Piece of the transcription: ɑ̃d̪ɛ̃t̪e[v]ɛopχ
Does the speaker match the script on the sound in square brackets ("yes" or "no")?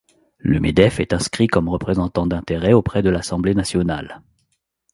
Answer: no